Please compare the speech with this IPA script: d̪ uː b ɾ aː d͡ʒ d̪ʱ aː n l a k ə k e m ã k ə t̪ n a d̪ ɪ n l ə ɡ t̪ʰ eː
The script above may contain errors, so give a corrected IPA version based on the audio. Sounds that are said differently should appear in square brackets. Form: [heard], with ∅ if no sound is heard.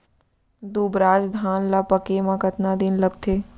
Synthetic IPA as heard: d̪ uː b ɾ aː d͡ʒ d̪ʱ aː n l a [p] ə k e m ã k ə t̪ n a d̪ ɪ n l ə ɡ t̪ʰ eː